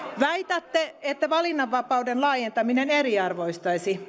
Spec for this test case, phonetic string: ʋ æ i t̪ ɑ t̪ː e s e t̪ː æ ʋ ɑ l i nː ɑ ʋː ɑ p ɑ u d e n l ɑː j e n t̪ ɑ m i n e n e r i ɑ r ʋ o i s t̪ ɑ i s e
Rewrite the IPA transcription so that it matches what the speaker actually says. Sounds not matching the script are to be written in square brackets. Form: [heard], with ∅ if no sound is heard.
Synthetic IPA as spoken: ʋ æ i t̪ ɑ t̪ː e [∅] e t̪ː æ ʋ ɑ l i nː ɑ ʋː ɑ p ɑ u d e n l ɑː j e n t̪ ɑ m i n e n e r i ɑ r ʋ o i s t̪ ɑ i s [i]

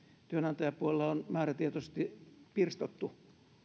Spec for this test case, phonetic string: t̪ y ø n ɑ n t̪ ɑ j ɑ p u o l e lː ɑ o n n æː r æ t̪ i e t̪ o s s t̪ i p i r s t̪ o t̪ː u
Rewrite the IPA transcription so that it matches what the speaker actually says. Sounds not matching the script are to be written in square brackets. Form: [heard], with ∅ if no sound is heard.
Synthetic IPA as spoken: t̪ y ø n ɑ n t̪ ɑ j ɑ p u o l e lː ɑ o n [m] æː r æ t̪ i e t̪ o s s t̪ i p i r s t̪ o t̪ː u

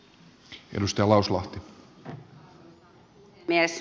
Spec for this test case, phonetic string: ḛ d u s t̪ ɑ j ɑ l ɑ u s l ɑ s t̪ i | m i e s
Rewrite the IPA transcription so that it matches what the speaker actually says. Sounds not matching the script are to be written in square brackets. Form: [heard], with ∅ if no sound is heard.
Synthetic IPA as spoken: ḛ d u s t̪ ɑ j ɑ l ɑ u s l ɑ [h] t̪ i | m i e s

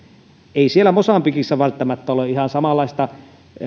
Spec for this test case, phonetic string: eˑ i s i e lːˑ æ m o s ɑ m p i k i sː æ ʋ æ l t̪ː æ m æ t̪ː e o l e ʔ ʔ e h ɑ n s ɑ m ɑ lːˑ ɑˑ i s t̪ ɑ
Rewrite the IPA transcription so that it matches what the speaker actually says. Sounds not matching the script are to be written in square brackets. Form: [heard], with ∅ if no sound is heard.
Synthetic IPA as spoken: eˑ i s i e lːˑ æ m o s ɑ m p i k i sː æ ʋ æ l t̪ː æ m æ t̪ː [æ] o l e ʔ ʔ [i] h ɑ n s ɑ m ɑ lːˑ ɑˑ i s t̪ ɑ

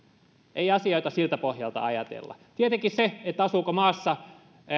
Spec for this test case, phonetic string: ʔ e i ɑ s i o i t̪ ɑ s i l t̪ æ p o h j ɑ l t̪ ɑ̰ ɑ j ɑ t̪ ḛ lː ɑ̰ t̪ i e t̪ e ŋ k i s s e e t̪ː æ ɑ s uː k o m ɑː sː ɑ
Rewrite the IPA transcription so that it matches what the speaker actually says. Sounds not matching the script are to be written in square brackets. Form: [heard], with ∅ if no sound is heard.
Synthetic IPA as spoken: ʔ e i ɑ s i o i t̪ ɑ s i l t̪ æ p o h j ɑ l t̪ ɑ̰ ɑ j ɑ t̪ ḛ lː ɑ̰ t̪ i e t̪ e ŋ k i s s e e t̪ː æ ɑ s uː k o m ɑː sː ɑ

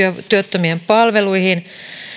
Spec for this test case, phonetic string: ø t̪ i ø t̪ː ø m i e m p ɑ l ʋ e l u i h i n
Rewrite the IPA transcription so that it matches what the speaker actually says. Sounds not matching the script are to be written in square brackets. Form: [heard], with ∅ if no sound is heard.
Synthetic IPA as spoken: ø t̪ [y] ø t̪ː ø m i e m p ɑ l ʋ e l u i h i n

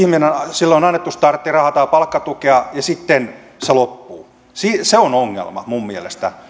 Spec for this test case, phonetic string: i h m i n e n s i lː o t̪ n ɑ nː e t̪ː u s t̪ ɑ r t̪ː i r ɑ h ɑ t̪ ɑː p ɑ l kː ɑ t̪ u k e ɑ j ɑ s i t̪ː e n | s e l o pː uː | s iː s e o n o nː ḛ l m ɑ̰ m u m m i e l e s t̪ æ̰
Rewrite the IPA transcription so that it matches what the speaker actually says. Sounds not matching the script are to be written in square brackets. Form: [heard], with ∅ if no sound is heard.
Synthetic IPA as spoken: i h m i n e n s i lː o [∅] n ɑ nː e t̪ː u s t̪ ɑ r t̪ː i r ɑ h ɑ t̪ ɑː p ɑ l kː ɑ t̪ u k e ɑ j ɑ s i t̪ː e n | s e l o pː uː | s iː s e o n o [ŋː] ḛ l m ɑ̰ m u m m i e l e s t̪ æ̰

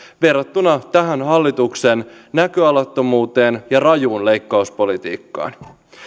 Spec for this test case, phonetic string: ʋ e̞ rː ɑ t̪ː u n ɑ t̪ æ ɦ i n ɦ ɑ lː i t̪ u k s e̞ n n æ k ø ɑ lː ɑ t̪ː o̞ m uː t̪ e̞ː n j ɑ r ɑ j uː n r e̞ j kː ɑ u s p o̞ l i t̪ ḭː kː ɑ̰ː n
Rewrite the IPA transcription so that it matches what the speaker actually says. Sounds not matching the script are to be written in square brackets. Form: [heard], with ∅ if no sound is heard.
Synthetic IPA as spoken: ʋ e̞ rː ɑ t̪ː u n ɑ t̪ æ ɦ [æ] n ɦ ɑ lː i t̪ u k s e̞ n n æ k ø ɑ [l] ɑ t̪ː o̞ m uː t̪ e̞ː n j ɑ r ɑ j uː n [l] e̞ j kː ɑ u s p o̞ l i t̪ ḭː kː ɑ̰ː n

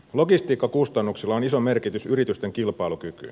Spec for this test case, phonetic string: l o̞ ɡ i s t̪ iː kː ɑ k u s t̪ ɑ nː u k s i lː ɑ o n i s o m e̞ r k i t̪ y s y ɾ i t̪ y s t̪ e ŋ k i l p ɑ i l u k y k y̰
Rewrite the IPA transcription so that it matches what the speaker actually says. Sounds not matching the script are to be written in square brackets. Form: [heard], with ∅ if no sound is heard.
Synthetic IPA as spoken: l o̞ ɡ i s t̪ iː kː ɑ k u s t̪ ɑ nː u k s i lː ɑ o n i s o m e̞ r k i t̪ y s y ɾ i t̪ y s t̪ e ŋ k i l p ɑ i l u k y k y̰

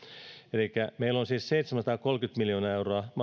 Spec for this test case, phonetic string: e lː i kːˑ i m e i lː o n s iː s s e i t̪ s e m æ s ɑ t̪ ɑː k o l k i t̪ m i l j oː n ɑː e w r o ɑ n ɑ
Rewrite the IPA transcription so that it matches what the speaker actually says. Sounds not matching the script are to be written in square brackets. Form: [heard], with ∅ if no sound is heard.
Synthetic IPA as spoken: e [l] i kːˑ [æ] m e i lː o n s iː s s e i t̪ s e m æ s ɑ t̪ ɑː k o l k [y] t̪ m i l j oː n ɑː e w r o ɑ [m] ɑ

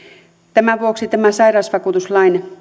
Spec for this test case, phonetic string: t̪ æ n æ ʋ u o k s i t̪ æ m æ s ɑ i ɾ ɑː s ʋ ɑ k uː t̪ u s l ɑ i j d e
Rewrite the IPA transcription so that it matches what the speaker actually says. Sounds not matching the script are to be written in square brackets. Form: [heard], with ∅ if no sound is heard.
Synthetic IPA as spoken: t̪ æ [m] æ ʋ u o k s i t̪ æ m æ s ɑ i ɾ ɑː s ʋ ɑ k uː t̪ u s l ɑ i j [n] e

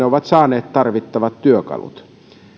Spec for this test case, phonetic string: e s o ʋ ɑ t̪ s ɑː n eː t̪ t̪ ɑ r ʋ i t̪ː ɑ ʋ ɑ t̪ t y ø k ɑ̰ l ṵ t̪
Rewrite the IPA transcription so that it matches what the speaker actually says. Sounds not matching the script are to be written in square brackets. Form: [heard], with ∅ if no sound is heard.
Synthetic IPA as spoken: e [∅] o ʋ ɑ t̪ s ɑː n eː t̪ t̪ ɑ r ʋ i t̪ː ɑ ʋ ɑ t̪ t y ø k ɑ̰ l ṵ t̪

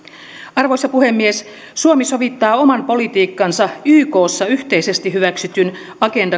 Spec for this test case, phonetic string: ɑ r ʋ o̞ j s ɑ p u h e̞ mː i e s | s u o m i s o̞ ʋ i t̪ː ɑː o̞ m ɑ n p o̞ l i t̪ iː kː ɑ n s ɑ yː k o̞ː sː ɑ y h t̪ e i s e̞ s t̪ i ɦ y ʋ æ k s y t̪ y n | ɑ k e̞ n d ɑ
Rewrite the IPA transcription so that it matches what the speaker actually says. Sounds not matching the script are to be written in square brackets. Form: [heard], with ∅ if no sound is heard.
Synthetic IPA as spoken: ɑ r ʋ o̞ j s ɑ p u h e̞ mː i e s | s u o m i s o̞ ʋ i t̪ː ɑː o̞ m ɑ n p o̞ l i t̪ iː kː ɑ n s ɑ yː k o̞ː sː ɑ y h t̪ e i s e̞ s t̪ i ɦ y ʋ æ k s y t̪ y n | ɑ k e̞ n d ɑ

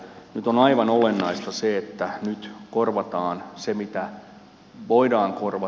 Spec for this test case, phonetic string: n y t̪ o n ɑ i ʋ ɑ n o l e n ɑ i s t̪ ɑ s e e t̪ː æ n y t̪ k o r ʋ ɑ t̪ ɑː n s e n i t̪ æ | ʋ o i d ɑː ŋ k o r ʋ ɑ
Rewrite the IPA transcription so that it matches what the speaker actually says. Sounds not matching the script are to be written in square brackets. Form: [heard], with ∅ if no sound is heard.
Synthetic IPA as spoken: n y t̪ o n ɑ i ʋ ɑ n o l e [nː] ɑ i s t̪ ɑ s e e t̪ː æ n y t̪ k o r ʋ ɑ t̪ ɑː n s e [m] i t̪ æ | ʋ o i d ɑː ŋ k o r ʋ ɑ

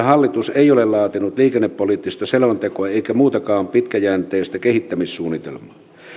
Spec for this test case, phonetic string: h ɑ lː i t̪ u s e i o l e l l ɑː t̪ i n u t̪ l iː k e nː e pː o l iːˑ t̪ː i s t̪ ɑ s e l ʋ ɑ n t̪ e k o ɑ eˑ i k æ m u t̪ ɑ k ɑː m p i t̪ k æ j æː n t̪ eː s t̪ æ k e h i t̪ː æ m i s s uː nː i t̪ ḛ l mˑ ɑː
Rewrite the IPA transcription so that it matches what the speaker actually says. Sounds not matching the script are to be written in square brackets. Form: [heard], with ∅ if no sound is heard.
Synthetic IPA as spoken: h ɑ lː i t̪ u s e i o l e l l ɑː t̪ i n u t̪ l iː k e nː e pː o l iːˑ t̪ː i s t̪ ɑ s e l ʋ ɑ n t̪ e k o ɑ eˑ i k æ m [uː] t̪ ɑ k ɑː m p i t̪ k æ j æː n t̪ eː s t̪ æ k e h i t̪ː æ m i s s uː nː i t̪ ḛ l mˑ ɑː

